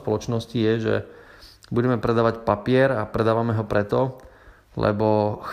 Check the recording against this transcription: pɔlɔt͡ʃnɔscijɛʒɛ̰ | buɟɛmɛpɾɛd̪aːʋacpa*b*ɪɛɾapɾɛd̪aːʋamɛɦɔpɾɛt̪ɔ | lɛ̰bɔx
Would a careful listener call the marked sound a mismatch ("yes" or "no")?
yes